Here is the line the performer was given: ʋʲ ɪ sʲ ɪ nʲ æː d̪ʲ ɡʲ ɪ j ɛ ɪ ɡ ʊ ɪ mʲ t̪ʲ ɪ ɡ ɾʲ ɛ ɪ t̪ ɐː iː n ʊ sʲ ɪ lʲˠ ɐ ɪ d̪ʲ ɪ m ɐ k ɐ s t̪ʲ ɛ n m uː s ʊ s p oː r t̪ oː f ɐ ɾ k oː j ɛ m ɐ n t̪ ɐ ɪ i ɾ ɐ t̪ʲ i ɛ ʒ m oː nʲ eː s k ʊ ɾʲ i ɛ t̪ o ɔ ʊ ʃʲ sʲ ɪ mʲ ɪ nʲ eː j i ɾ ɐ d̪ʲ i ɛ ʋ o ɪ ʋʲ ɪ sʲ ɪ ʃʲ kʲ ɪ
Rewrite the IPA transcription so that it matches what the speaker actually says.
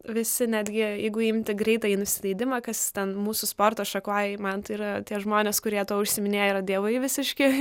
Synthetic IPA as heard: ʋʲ ɪ sʲ ɪ nʲ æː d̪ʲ ɡʲ ɪ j ɛ ɪ ɡ ʊ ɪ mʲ t̪ʲ ɪ ɡ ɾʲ ɛ ɪ t̪ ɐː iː n ʊ sʲ ɪ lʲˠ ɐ ɪ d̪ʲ ɪ m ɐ k ɐ s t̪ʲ ɛ n m uː s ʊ s p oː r t̪ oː ʃ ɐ k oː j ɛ m ɐ n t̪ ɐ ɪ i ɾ ɐ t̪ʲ i ɛ ʒ m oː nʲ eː s k ʊ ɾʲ i ɛ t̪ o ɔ ʊ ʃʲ sʲ ɪ mʲ ɪ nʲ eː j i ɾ ɐ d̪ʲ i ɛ ʋ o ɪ ʋʲ ɪ sʲ ɪ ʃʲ kʲ ɪ

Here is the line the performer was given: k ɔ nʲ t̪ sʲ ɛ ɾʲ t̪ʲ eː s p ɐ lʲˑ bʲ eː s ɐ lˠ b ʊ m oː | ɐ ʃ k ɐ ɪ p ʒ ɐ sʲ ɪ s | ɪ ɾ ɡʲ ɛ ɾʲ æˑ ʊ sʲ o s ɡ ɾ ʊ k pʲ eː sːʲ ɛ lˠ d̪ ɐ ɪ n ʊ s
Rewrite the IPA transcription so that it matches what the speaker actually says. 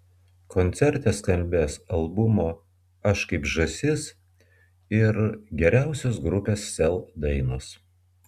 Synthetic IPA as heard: k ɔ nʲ t̪ sʲ ɛ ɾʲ t̪ʲ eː s k ɐ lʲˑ bʲ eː s ɐ lˠ b ʊ m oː | ɐ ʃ k ɐ ɪ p ʒ ɐ sʲ ɪ s | ɪ ɾ ɡʲ ɛ ɾʲ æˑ ʊ sʲ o s ɡ ɾ ʊ pʲ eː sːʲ ɛ lˠ d̪ ɐ ɪ n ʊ s

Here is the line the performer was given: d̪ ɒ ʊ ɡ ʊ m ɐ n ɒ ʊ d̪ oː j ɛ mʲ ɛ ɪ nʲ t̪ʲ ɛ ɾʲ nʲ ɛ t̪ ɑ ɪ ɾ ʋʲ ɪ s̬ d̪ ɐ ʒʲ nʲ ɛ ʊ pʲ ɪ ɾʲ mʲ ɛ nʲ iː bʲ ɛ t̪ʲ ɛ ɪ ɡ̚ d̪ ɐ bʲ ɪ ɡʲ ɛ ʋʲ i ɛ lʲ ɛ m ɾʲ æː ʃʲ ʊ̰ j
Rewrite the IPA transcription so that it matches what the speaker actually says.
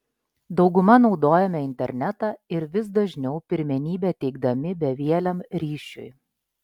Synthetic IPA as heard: d̪ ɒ ʊ ɡ ʊ m ɐ n ɒ ʊ d̪ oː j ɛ mʲ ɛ ɪ nʲ t̪ʲ ɛ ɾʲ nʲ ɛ t̪ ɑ ɪ ɾ ʋʲ ɪ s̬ d̪ ɐ ʒʲ nʲ ɛ ʊ pʲ ɪ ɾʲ mʲ ɛ nʲ iː bʲ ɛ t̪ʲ ɛ ɪ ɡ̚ d̪ ɐ mʲ ɪ bʲ ɛ ʋʲ i ɛ lʲ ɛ m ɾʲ iː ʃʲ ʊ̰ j

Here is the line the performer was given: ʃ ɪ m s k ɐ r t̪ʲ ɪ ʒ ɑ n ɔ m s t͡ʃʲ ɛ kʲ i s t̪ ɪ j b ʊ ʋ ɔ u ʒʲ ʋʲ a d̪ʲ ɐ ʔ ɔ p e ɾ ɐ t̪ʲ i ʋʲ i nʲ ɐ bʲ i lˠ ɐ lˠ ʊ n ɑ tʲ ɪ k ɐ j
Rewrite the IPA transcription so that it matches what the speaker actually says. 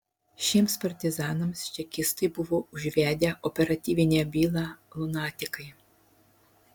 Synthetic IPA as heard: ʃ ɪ m s p ɐ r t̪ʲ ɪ z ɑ n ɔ m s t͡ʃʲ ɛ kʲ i s t̪ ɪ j b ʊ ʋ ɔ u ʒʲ ʋʲ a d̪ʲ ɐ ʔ ɔ p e ɾ ɐ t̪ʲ i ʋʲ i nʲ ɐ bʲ i lˠ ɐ lˠ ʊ n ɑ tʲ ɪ k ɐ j

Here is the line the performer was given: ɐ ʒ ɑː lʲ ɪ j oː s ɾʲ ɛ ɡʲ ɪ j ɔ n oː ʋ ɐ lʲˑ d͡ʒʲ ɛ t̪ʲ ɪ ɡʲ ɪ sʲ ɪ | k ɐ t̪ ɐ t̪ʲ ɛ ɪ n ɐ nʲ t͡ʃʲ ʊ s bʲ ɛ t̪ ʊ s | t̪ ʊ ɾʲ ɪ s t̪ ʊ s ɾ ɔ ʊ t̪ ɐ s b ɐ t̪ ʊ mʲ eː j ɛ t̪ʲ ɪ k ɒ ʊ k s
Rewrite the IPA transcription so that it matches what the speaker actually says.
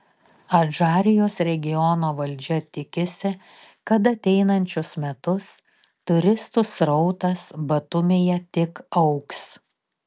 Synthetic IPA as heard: ɐ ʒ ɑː ɾʲ ɪ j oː s ɾʲ ɛ ɡʲ ɪ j ɔ n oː ʋ ɐ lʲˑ d͡ʒʲ ɛ t̪ʲ ɪ kʲ ɪ sʲ ɪ | k ɐ t̪ ɐ t̪ʲ ɛ ɪ n ɐ nʲ t͡ʃʲ ʊ s mʲ ɛ t̪ ʊ s | t̪ ʊ ɾʲ ɪ s t̪ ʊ s ɾ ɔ ʊ t̪ ɐ s b ɐ t̪ ʊ mʲ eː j ɛ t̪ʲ ɪ k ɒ ʊ k s

